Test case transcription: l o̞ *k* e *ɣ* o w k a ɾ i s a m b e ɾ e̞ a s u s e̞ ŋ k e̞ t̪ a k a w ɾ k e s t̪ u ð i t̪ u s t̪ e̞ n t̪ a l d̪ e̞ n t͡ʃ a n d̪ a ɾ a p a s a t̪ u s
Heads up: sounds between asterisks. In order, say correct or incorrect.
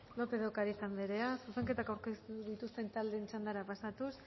incorrect: p, incorrect: ð

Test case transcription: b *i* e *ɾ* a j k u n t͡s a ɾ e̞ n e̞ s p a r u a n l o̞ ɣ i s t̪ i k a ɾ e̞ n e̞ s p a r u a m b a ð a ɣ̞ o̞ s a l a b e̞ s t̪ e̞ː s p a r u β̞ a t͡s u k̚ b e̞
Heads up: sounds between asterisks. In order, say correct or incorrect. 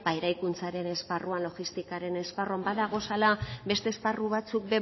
incorrect: a, correct

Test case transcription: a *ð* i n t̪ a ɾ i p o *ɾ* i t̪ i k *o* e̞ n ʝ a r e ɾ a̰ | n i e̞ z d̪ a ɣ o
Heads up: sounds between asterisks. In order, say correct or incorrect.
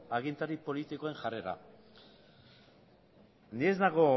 incorrect: ɣ, incorrect: l, correct

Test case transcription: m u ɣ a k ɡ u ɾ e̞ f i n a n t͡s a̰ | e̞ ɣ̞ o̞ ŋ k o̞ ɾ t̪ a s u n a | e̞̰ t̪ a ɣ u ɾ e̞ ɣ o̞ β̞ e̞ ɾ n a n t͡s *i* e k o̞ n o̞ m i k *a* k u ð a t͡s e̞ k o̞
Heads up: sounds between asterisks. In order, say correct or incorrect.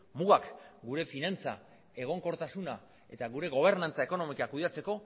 incorrect: a, correct

